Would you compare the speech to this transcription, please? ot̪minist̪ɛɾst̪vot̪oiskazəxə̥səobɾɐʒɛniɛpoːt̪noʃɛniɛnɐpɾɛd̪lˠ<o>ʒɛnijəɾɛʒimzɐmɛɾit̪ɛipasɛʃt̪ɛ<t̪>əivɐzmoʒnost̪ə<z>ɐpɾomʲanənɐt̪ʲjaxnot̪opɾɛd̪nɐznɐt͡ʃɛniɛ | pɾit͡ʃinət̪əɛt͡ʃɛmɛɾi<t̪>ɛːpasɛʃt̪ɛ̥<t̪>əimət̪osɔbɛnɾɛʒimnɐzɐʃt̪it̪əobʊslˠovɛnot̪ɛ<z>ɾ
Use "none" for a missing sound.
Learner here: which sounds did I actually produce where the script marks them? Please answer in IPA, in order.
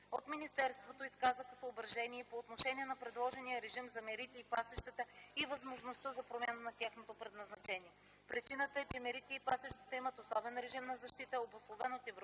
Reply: ɔ, t̪, z, t̪, t̪, v

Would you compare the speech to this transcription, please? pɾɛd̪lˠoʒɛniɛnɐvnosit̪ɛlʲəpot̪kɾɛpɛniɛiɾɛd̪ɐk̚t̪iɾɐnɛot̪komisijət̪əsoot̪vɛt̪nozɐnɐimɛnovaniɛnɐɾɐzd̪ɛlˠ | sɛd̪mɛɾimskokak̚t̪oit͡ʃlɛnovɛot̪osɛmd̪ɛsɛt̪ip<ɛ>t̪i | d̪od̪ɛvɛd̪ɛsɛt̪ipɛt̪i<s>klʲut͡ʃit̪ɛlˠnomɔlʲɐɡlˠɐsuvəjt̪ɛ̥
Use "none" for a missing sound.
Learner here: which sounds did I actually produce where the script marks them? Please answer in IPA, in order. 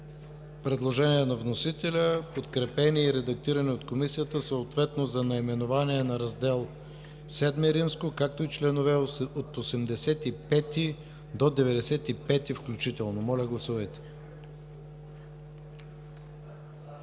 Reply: ɛ, f

